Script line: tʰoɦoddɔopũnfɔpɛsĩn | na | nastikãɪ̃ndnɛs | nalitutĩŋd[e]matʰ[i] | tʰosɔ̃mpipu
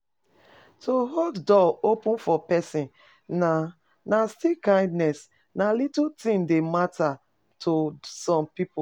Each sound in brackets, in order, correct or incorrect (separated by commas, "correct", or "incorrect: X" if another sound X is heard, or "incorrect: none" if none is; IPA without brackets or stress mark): correct, incorrect: a